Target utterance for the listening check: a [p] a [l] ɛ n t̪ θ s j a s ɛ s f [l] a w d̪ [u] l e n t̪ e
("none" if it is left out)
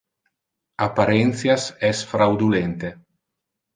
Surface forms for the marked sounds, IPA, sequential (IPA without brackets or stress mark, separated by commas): p, ɾ, ɾ, u